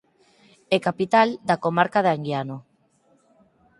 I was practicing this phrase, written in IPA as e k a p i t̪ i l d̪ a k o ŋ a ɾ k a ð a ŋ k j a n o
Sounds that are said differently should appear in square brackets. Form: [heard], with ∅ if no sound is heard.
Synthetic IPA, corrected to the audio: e k a p i t̪ [a] l d̪ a k o [m] a ɾ k a ð a ŋ [ɡ] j a n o